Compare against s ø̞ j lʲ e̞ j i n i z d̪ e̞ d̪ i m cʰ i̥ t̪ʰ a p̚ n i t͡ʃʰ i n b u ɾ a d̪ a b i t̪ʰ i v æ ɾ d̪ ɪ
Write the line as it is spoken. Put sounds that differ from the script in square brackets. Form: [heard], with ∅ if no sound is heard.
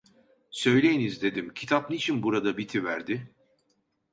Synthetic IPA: s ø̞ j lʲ e̞ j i n i z d̪ e̞ d̪ i m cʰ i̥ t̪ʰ a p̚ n i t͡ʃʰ i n b u ɾ a d̪ a b i t̪ʰ i v æ ɾ d̪ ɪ